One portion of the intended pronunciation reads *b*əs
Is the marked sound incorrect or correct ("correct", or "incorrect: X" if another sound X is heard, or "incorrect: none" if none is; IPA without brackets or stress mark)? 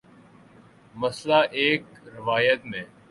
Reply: incorrect: m